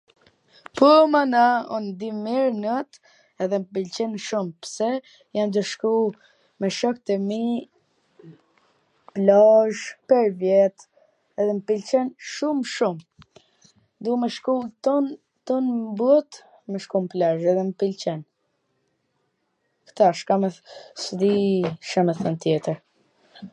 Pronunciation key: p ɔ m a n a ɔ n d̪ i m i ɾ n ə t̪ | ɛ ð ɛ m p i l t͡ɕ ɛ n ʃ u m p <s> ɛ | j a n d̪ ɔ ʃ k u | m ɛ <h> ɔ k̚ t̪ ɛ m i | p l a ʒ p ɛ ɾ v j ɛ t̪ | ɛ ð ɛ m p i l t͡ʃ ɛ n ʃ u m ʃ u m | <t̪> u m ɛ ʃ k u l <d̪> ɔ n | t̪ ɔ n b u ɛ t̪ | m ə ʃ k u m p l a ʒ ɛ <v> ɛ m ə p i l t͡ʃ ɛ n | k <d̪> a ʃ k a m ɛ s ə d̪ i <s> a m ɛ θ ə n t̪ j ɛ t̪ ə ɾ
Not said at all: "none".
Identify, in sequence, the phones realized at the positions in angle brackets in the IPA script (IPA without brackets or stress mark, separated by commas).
s, ʃ, d̪, t̪, ð, t̪, ʃ